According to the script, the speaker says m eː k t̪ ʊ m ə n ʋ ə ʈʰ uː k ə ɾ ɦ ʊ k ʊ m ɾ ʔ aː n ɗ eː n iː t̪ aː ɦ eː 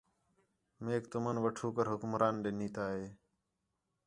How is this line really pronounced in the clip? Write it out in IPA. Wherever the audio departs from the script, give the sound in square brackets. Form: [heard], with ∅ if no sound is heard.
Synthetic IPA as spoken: m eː k t̪ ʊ m ə n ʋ ə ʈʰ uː k ə ɾ ɦ ʊ k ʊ m ɾ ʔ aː n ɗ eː n iː t̪ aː ɦ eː